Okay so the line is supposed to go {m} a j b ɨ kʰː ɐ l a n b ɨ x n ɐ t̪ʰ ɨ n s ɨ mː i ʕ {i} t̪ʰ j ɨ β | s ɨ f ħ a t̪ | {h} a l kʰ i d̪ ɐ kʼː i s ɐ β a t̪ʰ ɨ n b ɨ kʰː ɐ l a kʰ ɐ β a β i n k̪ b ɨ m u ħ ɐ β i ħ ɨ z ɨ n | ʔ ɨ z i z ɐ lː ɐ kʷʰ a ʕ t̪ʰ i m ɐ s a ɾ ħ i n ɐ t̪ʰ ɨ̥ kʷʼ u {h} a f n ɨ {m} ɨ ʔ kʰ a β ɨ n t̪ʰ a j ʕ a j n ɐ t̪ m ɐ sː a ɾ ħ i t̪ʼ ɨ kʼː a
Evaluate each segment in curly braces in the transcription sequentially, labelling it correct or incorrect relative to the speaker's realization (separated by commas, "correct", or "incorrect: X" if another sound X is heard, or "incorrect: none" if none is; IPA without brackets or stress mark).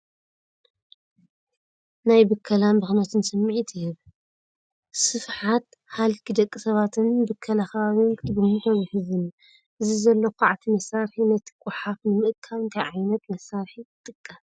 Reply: incorrect: n, correct, correct, incorrect: ħ, correct